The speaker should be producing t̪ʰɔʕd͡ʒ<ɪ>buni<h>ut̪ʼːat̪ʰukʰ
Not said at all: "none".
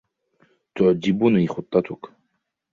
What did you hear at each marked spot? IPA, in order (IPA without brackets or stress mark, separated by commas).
i, χ